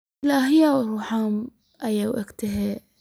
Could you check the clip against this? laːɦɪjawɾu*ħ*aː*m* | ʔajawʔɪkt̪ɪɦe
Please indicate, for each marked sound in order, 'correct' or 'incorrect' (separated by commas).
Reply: correct, correct